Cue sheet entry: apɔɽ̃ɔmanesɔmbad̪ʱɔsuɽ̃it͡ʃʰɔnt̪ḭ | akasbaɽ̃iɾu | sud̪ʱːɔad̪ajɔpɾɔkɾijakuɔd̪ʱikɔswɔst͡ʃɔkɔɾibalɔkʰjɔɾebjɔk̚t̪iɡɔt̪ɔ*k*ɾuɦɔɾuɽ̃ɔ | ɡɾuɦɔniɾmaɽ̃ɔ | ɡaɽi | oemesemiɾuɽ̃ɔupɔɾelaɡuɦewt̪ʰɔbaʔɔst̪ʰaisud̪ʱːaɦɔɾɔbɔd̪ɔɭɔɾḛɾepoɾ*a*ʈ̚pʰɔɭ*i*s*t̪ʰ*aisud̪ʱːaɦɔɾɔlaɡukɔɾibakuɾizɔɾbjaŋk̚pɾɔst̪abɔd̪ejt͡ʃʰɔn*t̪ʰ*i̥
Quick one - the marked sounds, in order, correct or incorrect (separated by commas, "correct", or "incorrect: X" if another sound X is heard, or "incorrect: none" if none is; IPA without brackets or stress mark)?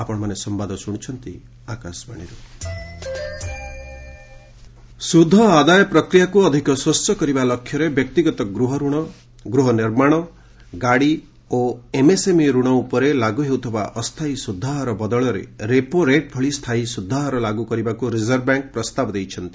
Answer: incorrect: ɡ, incorrect: e, correct, correct, incorrect: t̪